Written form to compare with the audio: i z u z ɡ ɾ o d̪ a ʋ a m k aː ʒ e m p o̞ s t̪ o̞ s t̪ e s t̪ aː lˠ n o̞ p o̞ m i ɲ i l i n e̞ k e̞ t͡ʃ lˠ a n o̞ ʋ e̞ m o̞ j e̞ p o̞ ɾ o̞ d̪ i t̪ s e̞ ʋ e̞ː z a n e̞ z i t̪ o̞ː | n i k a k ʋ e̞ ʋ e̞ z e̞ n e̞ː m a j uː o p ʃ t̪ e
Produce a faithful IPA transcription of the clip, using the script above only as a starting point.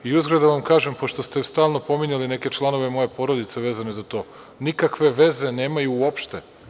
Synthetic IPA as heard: i u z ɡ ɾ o d̪ a ʋ a m k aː ʒ e m p o̞ ʃ t̪ o̞ s t̪ e s t̪ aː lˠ n o̞ p o̞ m i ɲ a l i n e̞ k e̞ t͡ʃ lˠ a n o̞ ʋ e̞ m o̞ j e̞ p o̞ ɾ o̞ d̪ i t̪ s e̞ ʋ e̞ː z a n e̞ z a t̪ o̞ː | n i k a k ʋ e̞ ʋ e̞ z e̞ n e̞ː m a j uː o p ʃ t̪ e